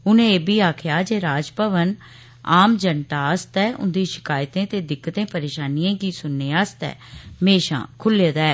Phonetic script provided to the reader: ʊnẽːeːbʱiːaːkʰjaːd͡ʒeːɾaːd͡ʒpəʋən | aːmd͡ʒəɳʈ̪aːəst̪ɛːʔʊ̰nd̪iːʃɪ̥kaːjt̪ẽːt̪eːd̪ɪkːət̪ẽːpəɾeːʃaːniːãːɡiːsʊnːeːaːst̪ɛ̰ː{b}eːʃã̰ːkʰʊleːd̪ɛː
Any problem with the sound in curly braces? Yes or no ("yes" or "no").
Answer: yes